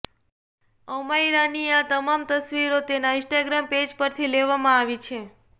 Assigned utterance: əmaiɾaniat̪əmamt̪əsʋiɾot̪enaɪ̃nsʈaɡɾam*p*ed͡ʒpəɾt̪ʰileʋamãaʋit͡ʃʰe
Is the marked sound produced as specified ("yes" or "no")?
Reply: yes